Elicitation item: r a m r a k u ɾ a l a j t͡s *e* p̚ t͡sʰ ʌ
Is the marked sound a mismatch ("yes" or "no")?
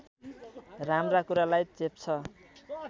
no